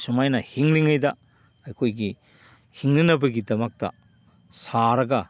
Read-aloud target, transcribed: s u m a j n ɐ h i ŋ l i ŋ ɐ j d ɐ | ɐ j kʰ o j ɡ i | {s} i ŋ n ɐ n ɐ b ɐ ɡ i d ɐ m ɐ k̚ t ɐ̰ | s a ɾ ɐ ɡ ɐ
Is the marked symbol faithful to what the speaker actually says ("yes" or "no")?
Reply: no